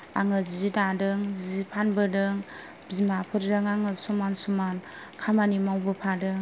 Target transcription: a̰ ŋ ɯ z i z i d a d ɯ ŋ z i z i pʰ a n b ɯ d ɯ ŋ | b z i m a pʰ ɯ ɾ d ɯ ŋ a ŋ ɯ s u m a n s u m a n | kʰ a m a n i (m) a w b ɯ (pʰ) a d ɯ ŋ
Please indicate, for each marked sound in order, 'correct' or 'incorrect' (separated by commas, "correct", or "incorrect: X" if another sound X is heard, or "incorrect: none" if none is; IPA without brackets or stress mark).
correct, correct